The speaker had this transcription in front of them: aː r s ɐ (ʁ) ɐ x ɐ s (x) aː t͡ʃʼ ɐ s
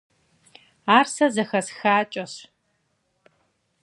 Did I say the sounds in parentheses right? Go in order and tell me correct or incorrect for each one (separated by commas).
incorrect, correct